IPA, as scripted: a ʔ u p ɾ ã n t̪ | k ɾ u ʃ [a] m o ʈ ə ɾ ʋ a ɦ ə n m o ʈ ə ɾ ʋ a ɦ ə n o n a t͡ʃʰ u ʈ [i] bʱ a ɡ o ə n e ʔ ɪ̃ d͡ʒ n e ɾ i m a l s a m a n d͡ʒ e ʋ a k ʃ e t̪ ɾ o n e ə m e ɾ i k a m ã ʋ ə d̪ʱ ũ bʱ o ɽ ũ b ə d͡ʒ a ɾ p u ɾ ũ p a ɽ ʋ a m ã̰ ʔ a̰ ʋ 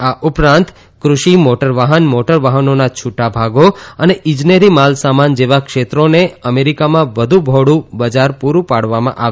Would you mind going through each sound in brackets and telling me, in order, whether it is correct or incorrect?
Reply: incorrect: i, incorrect: a

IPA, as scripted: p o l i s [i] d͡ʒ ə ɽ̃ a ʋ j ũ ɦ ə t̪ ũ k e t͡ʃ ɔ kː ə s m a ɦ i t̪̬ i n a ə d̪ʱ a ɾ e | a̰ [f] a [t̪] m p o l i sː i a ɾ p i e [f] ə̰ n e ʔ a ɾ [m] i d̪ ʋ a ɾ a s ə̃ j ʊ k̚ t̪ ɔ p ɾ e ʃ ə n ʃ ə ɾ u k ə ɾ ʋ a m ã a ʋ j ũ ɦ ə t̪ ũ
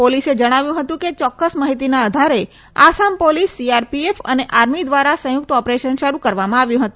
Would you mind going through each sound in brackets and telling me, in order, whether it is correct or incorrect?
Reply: incorrect: e, incorrect: s, incorrect: none, correct, correct

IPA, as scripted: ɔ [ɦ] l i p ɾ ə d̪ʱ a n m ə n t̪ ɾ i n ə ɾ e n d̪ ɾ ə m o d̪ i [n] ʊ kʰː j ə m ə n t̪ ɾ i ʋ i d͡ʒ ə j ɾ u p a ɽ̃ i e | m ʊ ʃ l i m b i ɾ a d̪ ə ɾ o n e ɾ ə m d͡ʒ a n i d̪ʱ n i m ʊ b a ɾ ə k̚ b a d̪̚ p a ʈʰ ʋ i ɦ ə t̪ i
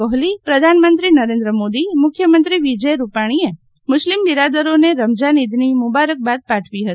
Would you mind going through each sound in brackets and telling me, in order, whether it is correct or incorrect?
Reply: correct, incorrect: m

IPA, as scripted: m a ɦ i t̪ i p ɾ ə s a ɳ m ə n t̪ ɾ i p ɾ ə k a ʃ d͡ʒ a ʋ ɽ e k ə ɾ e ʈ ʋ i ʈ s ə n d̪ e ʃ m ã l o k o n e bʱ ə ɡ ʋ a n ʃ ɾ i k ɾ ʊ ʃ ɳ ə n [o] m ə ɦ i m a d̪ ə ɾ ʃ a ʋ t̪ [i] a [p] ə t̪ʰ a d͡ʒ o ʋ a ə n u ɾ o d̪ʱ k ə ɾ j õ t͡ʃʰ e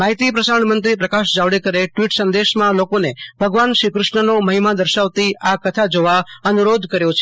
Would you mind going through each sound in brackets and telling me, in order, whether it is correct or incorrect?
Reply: correct, correct, incorrect: k

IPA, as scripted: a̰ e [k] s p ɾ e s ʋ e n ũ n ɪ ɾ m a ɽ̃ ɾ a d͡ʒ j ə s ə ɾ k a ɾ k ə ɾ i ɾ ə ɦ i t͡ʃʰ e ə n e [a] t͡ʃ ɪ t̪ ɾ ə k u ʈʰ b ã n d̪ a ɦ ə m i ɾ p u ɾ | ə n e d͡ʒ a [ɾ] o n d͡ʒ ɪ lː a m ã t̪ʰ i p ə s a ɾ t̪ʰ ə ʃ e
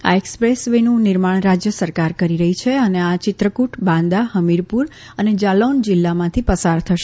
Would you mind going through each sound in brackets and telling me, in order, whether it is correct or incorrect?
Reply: correct, correct, incorrect: l

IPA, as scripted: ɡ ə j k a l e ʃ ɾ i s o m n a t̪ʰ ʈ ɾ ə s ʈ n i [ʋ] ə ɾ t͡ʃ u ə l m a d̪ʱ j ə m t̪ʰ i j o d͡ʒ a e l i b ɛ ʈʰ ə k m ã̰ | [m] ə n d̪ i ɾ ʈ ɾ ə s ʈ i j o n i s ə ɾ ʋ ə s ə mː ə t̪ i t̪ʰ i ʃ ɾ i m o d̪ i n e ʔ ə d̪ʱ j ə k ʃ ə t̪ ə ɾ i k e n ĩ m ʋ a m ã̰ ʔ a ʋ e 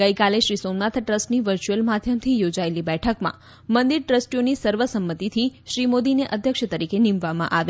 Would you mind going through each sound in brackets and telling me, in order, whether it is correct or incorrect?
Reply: correct, correct

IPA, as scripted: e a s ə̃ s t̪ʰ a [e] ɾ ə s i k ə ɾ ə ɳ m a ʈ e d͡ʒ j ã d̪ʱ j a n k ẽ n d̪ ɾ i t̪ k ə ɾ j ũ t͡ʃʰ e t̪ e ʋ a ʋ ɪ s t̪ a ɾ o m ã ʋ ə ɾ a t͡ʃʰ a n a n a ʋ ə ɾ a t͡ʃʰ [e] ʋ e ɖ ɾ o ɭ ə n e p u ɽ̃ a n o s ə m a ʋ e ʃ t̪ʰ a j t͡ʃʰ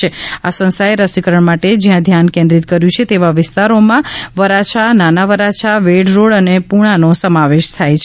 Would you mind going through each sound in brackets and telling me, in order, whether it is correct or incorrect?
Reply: correct, incorrect: a

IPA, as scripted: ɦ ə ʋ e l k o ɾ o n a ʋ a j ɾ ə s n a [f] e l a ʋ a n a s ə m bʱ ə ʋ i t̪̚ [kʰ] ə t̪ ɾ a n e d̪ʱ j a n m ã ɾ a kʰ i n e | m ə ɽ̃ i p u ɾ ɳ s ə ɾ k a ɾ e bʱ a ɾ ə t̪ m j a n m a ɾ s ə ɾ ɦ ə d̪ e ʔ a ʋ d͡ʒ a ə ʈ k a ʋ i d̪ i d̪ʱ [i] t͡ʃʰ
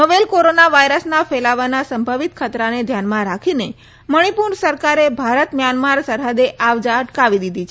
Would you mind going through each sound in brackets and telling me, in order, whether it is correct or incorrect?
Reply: correct, correct, correct

